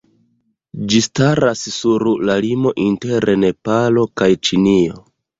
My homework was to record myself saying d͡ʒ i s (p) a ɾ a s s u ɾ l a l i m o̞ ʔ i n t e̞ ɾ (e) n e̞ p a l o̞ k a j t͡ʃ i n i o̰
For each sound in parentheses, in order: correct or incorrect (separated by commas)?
incorrect, correct